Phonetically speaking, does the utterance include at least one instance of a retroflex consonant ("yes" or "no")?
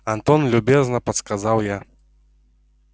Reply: no